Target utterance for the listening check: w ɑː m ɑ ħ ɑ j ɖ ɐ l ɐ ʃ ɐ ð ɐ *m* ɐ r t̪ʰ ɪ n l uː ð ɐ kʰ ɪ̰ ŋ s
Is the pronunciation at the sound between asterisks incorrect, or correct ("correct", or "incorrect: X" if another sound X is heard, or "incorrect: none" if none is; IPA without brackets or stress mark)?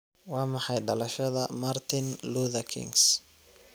correct